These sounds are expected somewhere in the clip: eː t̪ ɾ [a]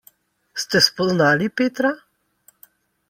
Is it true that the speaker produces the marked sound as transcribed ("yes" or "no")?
yes